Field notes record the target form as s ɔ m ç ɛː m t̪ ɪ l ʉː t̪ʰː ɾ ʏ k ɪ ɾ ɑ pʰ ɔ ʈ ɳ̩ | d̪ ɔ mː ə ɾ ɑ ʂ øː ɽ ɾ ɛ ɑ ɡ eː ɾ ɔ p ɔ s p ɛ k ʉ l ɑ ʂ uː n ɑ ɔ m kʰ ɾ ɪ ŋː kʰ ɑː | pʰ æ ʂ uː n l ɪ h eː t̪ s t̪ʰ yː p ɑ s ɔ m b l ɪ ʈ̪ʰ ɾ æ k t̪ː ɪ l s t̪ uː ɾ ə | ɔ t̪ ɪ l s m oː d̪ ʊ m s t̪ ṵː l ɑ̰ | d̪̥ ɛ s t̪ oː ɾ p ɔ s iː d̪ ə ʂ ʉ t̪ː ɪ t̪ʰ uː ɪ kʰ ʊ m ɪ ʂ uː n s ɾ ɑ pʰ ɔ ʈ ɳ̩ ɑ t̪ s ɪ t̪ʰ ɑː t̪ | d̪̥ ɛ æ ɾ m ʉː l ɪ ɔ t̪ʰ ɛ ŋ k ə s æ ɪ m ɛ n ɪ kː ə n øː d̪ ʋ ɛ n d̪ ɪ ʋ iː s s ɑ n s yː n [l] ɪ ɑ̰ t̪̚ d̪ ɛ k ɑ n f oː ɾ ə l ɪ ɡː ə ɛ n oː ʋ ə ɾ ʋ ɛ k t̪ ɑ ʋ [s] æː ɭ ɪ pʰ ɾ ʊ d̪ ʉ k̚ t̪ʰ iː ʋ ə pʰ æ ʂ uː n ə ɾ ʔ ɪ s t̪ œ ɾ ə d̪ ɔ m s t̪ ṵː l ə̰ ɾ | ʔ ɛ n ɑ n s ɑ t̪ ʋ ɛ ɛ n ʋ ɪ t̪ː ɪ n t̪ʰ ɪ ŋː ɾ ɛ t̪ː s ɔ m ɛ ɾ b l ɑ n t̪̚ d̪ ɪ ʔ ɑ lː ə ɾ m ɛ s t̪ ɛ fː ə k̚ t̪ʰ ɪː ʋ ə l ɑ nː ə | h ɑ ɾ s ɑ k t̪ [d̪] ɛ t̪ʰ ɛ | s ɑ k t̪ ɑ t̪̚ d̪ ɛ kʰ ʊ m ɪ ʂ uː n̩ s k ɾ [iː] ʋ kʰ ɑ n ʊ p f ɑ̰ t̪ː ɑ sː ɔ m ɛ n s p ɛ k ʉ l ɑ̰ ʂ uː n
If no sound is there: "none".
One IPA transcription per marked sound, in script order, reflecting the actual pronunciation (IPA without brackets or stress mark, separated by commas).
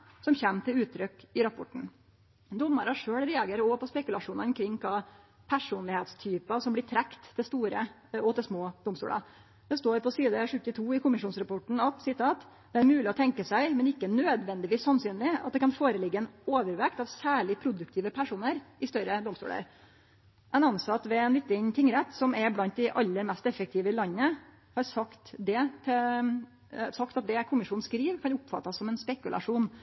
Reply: l, s, d̪, iː